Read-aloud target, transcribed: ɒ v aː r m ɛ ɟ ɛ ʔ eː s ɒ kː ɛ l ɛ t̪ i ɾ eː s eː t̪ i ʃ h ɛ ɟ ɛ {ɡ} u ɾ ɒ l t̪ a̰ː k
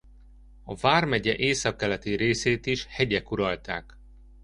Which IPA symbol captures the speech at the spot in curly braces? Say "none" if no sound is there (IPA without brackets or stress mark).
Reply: k